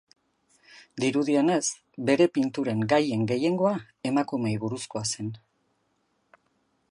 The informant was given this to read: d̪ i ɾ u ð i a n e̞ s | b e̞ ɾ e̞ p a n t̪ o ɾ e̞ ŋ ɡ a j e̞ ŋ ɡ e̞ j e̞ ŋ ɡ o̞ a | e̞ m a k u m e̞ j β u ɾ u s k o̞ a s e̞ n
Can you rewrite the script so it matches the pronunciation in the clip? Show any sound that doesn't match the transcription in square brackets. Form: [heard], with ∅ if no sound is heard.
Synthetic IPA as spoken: d̪ i ɾ u ð i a n e̞ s | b e̞ ɾ e̞ p [i] n t̪ [u] ɾ e̞ ŋ ɡ a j e̞ ŋ ɡ e̞ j e̞ ŋ ɡ o̞ a | e̞ m a k u m e̞ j β u ɾ u s k o̞ a s e̞ n

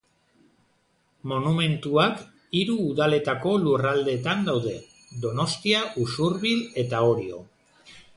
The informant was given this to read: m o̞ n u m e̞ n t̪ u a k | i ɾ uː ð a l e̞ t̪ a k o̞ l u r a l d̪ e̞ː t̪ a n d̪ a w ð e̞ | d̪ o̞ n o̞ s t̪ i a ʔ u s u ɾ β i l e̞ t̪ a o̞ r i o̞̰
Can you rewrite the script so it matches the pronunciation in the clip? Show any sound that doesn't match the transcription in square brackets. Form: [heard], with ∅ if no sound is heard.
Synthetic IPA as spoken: m o̞ n u m e̞ n t̪ u a k | i ɾ uː ð a l e̞ t̪ a k o̞ l u r a l d̪ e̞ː t̪ a n d̪ a w ð e̞ | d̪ o̞ n o̞ s t̪ i a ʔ u s u ɾ β i l e̞ t̪ a o̞ [ɾ] i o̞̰

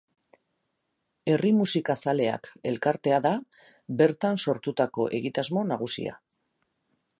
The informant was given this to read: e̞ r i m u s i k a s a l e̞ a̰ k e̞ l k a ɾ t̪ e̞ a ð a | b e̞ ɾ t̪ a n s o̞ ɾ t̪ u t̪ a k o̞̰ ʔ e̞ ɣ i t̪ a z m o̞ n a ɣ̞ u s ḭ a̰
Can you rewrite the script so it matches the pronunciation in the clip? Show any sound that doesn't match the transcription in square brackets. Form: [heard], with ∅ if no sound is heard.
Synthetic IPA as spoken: e̞ r i m u s i k a s a l e̞ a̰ k e̞ l k a ɾ t̪ e̞ a ð a | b e̞ ɾ t̪ a n s o̞ ɾ t̪ u t̪ a k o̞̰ ʔ e̞ ɣ i t̪ a z m o̞ n a ɣ̞ u s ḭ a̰

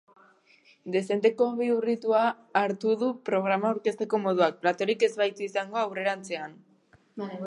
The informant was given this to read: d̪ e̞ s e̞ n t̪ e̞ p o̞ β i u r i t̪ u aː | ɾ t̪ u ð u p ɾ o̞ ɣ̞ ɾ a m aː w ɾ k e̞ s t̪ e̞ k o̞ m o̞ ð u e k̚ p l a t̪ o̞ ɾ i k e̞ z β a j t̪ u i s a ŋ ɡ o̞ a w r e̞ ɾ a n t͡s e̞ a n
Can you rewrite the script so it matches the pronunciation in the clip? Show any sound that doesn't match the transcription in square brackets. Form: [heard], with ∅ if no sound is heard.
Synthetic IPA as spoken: d̪ e̞ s e̞ n t̪ e̞ [k] o̞ β i u r i t̪ u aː | ɾ t̪ u ð u p ɾ o̞ ɣ̞ ɾ a m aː w ɾ k e̞ s t̪ e̞ k o̞ m o̞ ð u [a] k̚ p l a t̪ o̞ ɾ i k e̞ z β a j t̪ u i s a ŋ ɡ o̞ a w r e̞ ɾ a n t͡s e̞ a n

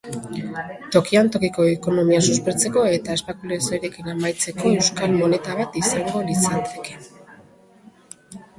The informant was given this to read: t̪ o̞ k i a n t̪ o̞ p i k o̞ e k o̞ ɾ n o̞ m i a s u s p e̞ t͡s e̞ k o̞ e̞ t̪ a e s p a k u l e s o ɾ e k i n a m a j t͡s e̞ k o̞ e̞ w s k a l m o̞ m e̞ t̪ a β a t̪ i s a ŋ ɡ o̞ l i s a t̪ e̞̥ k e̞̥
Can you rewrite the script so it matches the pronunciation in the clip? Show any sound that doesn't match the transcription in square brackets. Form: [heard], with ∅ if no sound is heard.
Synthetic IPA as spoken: t̪ o̞ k i a n t̪ o̞ [k] i k o̞ e k o̞ [∅] n o̞ m i a s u s p e̞ t͡s e̞ k o̞ e̞ t̪ a e s p a k u l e s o ɾ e k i n a m a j t͡s e̞ k o̞ e̞ w s k a l m o̞ [n] e̞ t̪ a β a t̪ i s a ŋ ɡ o̞ l i s a t̪ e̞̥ k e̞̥

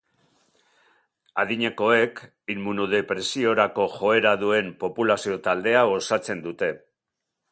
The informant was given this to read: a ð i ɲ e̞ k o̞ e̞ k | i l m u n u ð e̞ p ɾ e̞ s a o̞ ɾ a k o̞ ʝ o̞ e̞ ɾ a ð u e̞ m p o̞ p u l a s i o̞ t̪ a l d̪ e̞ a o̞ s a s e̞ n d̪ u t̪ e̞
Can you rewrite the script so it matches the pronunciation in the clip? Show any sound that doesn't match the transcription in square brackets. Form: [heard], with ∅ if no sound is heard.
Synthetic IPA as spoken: a ð i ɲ e̞ k o̞ e̞ k | i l m u n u ð e̞ p ɾ e̞ s [i] o̞ ɾ a k o̞ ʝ o̞ e̞ ɾ a ð u e̞ m p o̞ p u l a s i o̞ t̪ a l d̪ e̞ a o̞ s a [t͡s] e̞ n d̪ u t̪ e̞

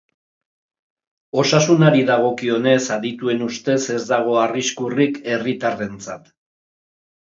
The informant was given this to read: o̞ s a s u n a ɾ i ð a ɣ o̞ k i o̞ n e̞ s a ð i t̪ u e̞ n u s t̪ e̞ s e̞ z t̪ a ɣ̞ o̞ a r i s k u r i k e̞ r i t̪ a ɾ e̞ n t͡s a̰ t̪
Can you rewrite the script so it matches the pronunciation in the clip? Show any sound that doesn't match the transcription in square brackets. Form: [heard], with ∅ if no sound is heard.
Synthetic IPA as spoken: o̞ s a s u n a ɾ i ð a ɣ o̞ k i o̞ n e̞ s a ð i t̪ u e̞ n u s t̪ e̞ s e̞ z [d̪] a ɣ̞ o̞ a r i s k u r i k e̞ r i t̪ a [r] e̞ n t͡s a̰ t̪

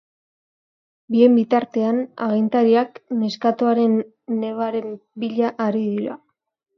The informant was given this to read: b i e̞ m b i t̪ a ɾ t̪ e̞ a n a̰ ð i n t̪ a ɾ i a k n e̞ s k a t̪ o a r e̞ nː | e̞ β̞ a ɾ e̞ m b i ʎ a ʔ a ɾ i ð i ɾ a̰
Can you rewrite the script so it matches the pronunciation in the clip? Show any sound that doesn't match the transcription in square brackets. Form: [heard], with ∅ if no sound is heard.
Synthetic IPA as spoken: b i e̞ m b i t̪ a ɾ t̪ e̞ a n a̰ [ɣ] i n t̪ a ɾ i a k n e̞ s k a t̪ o a [ɾ] e̞ nː | e̞ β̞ a ɾ e̞ m b i ʎ a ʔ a ɾ i ð i ɾ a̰

